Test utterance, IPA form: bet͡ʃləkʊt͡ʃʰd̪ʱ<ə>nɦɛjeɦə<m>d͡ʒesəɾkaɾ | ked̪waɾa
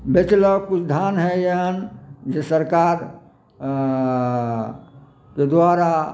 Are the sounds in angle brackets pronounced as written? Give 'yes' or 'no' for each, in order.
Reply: no, no

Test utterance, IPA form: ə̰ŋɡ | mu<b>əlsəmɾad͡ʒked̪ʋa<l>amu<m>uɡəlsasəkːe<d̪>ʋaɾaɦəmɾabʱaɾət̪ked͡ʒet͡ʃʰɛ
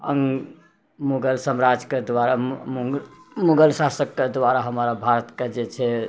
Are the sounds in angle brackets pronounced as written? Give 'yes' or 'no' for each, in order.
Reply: no, no, yes, yes

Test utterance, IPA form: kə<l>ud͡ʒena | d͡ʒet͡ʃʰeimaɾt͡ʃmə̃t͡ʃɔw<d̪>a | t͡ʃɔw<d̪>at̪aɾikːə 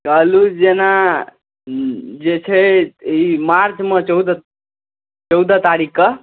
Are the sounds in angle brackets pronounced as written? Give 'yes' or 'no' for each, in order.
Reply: yes, yes, yes

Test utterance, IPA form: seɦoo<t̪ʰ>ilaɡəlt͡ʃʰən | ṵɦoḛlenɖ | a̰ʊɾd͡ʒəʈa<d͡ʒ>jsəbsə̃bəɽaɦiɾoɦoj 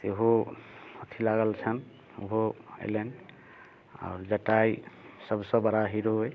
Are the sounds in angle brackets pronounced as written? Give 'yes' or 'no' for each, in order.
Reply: yes, no

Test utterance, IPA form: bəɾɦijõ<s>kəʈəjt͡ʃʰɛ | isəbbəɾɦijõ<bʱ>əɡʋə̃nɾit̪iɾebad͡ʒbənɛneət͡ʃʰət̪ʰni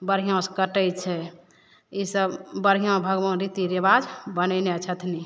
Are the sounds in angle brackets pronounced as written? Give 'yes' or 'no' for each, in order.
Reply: yes, yes

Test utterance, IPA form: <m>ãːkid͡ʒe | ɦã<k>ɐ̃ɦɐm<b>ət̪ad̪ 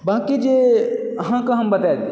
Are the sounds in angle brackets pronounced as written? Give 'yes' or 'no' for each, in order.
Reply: no, yes, yes

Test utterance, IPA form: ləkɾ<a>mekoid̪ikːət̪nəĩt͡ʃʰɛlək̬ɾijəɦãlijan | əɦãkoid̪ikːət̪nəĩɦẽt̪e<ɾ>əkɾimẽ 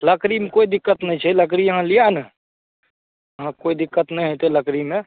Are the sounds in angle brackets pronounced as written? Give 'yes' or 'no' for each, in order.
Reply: no, no

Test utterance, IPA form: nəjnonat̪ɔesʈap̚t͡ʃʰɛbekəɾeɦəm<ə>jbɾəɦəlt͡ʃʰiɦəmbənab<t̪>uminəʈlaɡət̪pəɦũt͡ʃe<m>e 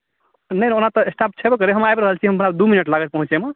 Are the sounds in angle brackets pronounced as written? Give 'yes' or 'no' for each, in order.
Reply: no, no, yes

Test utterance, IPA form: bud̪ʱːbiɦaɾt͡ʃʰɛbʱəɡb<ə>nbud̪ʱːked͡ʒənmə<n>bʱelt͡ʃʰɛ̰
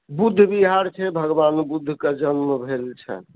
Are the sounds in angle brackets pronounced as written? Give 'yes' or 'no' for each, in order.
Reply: no, no

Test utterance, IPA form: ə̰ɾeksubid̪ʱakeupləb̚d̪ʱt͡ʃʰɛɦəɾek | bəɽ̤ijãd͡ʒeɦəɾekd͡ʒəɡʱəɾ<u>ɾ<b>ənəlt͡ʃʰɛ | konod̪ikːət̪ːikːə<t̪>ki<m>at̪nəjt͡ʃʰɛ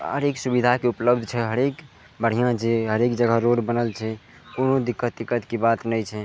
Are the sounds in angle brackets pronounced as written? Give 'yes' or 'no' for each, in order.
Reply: no, yes, yes, no

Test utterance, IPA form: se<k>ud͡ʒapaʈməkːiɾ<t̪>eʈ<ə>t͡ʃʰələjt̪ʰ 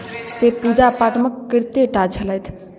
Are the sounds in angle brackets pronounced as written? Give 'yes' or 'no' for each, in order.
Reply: no, yes, no

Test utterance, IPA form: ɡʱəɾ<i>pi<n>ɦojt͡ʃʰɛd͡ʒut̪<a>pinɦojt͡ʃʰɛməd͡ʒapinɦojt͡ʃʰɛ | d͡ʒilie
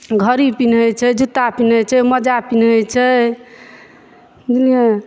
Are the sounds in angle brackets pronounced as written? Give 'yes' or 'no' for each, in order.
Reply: yes, yes, yes

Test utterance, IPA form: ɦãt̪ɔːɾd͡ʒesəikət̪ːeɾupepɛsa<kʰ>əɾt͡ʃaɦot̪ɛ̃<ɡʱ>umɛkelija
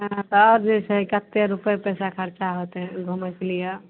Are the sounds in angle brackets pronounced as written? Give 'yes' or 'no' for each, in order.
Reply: yes, yes

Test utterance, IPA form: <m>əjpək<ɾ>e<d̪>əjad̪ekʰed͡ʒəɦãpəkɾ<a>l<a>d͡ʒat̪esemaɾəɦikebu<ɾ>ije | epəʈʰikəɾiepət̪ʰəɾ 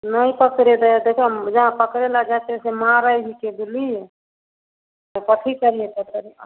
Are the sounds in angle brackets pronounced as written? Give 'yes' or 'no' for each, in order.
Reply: no, yes, yes, no, yes, no

